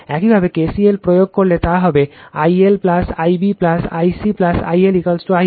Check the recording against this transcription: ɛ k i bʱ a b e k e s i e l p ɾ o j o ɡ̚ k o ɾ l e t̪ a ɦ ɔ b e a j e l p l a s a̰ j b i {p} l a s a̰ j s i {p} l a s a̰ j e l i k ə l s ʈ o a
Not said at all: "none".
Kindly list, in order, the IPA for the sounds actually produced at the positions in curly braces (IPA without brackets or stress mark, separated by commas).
p, p